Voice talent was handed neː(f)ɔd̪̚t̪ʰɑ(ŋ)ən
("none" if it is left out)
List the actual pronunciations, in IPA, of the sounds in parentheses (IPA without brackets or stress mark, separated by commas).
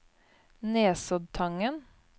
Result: s, ŋ